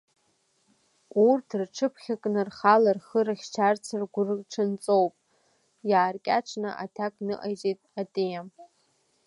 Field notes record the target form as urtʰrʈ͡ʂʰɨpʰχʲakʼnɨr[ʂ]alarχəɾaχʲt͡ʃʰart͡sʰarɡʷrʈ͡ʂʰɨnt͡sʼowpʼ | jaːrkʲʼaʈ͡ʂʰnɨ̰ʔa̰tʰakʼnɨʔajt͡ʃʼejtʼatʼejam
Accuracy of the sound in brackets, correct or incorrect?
incorrect